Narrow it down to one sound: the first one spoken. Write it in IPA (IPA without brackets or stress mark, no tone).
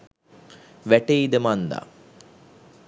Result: ʋ